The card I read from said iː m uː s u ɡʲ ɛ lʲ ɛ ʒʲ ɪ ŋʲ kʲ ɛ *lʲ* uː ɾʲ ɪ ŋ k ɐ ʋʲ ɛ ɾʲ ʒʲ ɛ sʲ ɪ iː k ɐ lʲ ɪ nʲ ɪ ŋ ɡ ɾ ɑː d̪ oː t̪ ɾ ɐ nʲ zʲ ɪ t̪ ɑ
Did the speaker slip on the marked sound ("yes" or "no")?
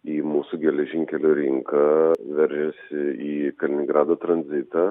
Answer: no